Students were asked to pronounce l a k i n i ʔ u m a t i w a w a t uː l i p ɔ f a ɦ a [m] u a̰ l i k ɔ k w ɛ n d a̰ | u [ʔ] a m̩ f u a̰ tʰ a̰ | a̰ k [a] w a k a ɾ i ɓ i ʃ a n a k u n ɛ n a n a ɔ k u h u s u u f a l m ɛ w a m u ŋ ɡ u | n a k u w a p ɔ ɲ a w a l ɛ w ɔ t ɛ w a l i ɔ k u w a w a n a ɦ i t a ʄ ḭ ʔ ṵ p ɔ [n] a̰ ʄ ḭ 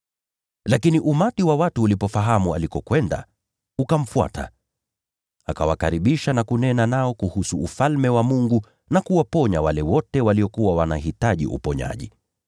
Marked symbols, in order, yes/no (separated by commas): yes, no, yes, no